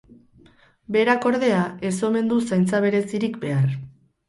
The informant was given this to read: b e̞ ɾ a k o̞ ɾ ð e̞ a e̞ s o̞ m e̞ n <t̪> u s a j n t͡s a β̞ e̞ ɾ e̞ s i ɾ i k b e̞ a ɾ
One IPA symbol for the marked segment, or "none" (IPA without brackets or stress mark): d̪